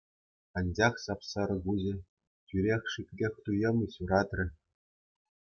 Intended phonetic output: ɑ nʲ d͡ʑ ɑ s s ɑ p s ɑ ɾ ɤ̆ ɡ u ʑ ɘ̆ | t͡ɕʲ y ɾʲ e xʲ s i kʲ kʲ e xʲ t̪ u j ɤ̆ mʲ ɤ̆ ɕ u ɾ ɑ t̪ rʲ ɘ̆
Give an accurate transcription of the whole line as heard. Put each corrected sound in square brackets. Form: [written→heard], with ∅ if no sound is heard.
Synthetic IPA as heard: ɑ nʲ d͡ʑ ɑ [s→χ] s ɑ p s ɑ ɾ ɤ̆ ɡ u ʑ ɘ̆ | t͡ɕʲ y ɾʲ e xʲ [s→ʂ] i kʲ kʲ e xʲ t̪ u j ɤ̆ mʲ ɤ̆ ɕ u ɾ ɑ t̪ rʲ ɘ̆